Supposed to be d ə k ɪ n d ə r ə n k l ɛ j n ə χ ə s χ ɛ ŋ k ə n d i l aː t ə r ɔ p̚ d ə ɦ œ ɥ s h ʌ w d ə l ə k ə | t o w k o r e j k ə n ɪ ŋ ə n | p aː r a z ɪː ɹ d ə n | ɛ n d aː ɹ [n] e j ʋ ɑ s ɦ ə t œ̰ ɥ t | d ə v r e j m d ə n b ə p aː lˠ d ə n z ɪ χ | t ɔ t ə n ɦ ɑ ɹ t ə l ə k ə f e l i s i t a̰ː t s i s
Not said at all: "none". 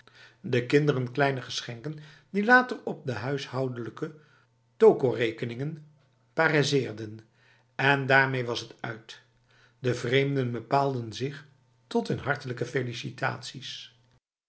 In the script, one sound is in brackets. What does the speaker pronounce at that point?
m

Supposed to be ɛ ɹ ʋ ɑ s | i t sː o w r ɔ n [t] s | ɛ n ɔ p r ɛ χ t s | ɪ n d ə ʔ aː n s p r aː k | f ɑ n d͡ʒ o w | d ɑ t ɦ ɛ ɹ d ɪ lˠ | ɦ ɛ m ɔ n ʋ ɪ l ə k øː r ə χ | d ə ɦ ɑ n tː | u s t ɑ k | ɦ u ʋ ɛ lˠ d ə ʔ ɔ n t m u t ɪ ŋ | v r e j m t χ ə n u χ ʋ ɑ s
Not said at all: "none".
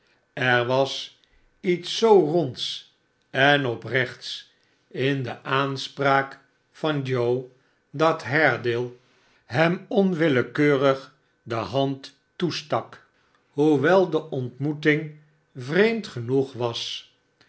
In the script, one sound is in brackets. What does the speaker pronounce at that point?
t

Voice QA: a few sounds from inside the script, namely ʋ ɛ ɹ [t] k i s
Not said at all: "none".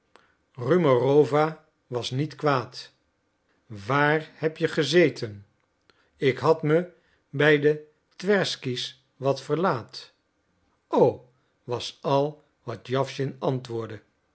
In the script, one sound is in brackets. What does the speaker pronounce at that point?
s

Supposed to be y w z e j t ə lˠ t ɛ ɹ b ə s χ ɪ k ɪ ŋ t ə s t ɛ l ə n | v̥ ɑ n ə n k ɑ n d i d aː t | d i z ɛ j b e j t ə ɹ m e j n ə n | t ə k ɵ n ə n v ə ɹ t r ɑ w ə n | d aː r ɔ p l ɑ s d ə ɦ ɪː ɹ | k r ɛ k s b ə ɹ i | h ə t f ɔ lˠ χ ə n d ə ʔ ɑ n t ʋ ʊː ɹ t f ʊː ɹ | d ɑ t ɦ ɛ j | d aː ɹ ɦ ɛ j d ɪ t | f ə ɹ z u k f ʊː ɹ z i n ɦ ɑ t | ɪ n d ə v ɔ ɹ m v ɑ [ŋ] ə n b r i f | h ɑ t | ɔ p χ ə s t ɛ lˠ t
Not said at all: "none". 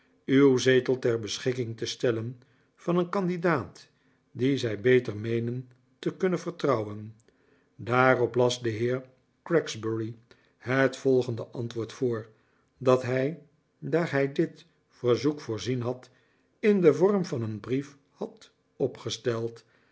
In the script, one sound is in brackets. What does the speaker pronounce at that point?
n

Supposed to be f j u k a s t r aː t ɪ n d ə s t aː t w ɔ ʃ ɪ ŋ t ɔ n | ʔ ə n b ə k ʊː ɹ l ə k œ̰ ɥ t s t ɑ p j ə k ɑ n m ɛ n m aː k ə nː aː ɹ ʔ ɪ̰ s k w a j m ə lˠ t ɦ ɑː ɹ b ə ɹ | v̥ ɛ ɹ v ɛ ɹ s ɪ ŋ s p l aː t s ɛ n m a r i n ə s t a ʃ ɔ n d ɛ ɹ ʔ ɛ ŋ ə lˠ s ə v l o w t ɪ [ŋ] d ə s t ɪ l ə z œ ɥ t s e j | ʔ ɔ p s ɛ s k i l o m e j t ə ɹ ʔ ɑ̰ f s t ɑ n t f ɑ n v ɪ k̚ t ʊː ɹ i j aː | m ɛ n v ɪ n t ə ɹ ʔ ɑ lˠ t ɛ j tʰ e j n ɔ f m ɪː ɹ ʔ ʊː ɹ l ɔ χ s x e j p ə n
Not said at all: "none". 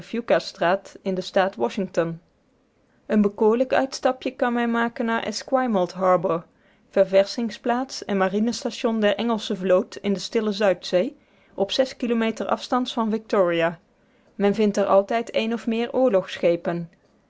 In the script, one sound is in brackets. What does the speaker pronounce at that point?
n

